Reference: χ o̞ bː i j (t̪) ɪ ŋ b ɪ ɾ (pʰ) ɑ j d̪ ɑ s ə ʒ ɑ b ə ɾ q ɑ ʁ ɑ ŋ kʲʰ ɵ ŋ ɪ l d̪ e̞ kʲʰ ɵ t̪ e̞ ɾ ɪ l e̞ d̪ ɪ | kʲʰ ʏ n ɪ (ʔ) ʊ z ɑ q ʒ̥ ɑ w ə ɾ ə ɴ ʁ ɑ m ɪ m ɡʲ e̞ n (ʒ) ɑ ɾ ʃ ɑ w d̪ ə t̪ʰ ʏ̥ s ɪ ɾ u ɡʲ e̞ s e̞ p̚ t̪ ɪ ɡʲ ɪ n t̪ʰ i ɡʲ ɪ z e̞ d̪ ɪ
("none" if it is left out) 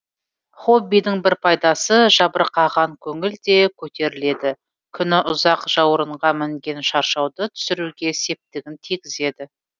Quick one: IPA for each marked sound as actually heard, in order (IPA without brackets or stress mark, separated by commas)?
d̪, pʰ, ʔ, ʃ